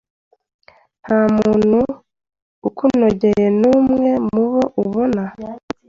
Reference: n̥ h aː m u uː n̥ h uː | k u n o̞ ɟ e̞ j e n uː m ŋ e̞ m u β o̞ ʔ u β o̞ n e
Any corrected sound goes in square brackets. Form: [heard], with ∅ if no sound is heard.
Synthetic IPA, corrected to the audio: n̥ h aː m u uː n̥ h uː | k u n o̞ ɟ e̞ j e n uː m ŋ e̞ m u β o̞ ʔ u β o̞ n [a]